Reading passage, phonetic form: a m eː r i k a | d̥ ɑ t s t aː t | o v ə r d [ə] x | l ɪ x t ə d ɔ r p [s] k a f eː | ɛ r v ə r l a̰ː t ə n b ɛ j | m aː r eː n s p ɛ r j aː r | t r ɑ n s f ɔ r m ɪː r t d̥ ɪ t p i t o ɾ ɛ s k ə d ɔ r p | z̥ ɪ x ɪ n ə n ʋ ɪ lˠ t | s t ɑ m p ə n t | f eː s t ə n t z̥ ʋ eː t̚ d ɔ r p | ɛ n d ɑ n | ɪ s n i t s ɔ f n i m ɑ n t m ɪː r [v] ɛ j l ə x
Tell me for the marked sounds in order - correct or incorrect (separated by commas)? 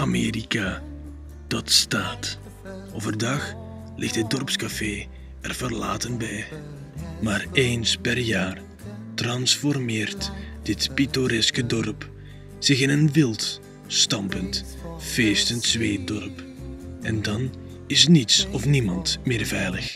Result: incorrect, correct, correct